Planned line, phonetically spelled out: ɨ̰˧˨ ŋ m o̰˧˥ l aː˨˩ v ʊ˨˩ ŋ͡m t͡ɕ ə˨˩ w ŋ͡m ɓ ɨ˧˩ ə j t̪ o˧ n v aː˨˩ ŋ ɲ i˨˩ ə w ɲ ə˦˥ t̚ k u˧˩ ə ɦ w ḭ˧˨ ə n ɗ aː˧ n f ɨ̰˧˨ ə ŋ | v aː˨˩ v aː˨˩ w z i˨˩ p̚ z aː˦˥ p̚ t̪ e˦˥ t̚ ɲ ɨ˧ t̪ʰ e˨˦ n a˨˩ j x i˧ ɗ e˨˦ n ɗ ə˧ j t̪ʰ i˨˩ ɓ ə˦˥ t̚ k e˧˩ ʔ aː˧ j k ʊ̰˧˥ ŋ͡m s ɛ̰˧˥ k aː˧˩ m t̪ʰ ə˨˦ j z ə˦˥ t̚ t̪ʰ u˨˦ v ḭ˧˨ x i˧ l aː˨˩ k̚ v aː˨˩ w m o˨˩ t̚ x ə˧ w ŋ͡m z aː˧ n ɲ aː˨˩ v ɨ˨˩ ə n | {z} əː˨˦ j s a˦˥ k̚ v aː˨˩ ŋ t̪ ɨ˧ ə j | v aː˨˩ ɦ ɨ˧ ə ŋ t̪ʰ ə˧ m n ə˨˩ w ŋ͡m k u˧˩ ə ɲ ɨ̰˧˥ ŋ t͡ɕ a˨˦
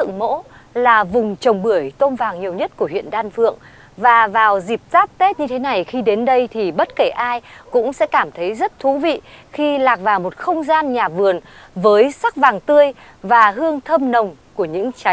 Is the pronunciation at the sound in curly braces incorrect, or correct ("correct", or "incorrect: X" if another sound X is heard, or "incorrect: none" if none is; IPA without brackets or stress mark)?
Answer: incorrect: v